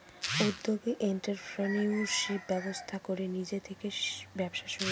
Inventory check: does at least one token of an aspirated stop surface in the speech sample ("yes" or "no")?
yes